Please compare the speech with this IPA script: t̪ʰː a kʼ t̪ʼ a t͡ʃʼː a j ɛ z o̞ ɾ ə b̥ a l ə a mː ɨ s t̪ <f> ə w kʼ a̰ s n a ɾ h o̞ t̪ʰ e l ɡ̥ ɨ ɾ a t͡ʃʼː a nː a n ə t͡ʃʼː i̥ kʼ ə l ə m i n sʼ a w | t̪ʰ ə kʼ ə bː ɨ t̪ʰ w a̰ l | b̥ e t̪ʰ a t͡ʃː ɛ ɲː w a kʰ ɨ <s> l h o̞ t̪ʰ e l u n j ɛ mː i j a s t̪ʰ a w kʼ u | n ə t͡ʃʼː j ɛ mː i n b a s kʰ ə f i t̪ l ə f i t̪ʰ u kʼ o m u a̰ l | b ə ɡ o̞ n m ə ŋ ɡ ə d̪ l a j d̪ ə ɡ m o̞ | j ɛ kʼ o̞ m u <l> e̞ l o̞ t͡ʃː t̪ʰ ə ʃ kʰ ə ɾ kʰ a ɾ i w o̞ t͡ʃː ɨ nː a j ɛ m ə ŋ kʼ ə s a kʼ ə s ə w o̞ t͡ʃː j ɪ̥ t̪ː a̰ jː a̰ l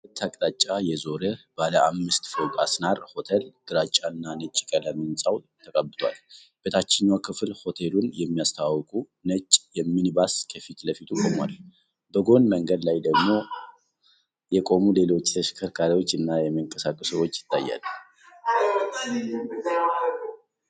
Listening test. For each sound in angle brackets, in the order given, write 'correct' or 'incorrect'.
correct, incorrect: f, correct

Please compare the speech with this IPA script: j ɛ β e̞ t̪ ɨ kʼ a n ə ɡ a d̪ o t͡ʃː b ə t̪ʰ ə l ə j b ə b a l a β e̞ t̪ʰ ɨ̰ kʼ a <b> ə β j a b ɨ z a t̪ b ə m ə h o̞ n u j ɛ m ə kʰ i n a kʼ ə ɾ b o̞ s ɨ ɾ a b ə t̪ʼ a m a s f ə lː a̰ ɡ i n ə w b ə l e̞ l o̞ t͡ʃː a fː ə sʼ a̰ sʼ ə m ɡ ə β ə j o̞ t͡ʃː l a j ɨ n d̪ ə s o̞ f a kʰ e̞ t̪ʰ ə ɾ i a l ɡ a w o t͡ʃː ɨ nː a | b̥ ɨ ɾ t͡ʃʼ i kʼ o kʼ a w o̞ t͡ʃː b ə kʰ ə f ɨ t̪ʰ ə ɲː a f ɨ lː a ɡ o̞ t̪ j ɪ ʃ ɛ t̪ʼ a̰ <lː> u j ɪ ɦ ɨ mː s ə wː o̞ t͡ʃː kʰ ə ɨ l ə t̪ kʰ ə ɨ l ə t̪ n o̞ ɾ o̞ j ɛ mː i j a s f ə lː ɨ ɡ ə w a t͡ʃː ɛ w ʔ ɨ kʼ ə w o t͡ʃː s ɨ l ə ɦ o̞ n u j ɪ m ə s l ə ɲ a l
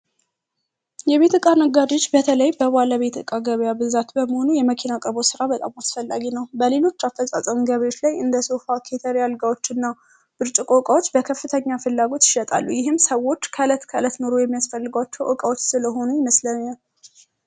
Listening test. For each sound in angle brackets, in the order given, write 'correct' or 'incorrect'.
incorrect: ɡ, correct

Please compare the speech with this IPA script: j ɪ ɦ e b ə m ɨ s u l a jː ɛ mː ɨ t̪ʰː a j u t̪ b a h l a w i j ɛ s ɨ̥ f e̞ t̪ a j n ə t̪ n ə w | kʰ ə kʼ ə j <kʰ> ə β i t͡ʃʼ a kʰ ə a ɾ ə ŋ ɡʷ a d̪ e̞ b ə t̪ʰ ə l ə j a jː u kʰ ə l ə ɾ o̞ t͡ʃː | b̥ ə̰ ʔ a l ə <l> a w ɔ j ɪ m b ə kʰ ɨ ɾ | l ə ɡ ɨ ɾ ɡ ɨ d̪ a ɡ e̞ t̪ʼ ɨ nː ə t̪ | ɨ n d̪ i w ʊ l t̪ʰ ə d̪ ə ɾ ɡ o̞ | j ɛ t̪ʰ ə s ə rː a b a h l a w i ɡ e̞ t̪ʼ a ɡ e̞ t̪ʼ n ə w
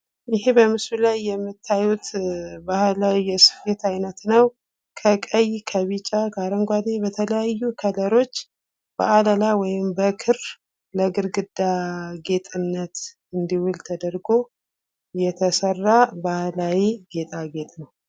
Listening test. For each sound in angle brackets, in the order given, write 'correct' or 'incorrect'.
correct, correct

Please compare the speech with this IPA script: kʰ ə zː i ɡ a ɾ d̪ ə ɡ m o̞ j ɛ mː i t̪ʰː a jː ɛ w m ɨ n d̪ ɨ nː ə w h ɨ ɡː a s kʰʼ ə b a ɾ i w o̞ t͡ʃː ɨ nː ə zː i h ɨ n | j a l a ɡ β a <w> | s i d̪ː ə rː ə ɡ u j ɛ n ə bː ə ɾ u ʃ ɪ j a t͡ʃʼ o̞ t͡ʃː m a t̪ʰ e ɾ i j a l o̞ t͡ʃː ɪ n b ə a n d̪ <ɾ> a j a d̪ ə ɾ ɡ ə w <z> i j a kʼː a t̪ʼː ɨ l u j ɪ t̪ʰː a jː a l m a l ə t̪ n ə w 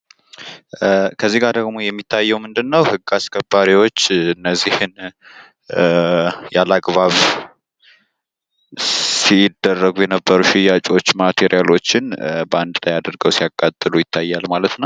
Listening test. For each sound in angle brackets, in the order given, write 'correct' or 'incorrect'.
incorrect: β, incorrect: l, incorrect: s

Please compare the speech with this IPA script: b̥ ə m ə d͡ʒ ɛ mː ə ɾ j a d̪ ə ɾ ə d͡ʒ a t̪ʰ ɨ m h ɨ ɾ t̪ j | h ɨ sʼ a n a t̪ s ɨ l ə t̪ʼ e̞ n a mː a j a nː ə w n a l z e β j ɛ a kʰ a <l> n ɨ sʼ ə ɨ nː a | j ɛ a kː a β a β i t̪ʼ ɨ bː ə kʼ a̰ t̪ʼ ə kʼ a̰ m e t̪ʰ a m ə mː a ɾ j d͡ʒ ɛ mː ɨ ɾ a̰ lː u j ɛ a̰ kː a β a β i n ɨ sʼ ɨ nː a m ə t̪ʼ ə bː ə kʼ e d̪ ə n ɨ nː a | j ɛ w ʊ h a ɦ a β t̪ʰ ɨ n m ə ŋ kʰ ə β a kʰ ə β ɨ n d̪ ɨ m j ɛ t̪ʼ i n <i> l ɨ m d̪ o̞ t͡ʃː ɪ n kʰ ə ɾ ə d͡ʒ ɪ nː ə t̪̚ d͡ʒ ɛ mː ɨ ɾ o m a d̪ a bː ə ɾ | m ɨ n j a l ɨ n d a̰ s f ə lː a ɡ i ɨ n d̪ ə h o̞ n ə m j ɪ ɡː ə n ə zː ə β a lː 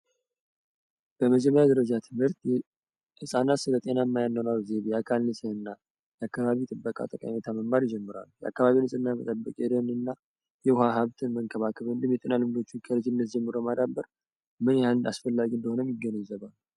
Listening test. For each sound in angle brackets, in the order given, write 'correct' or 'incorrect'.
correct, incorrect: a

